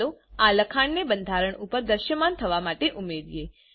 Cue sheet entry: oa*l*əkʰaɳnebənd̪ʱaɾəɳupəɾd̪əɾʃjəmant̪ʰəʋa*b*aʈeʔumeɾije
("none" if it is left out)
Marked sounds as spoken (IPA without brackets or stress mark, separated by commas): l, m